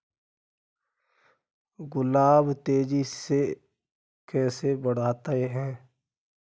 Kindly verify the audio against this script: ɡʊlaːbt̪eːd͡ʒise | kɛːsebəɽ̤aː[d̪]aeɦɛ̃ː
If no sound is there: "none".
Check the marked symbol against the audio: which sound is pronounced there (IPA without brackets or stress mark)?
t̪